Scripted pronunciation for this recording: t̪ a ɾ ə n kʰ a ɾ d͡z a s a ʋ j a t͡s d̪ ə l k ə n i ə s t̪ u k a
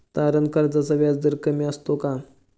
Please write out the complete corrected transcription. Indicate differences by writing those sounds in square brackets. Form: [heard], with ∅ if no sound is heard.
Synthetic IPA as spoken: t̪ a ɾ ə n [k] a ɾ d͡z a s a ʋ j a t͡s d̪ ə [ɾ] k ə [m] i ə s t̪ [o] k a